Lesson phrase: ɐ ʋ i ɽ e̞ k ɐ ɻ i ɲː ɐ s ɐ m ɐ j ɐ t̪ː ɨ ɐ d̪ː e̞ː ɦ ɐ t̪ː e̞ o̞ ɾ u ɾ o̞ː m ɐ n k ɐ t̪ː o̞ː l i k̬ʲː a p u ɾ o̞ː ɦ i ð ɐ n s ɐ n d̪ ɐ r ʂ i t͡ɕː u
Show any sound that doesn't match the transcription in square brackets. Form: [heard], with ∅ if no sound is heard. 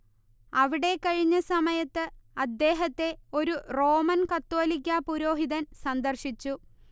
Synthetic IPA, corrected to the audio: ɐ ʋ i ɽ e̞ k ɐ ɻ i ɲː ɐ s ɐ m ɐ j ɐ t̪ː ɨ ɐ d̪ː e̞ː ɦ ɐ t̪ː e̞ o̞ ɾ u [r] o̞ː m ɐ n k ɐ t̪ː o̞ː l i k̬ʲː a p u ɾ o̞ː ɦ i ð ɐ n s ɐ n d̪ ɐ r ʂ i t͡ɕː u